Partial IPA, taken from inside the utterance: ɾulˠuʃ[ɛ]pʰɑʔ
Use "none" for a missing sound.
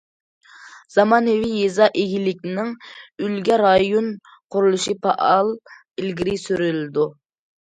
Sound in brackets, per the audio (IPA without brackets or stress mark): i